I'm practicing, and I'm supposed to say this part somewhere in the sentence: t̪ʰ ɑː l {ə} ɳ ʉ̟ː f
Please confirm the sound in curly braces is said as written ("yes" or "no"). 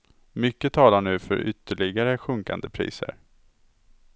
no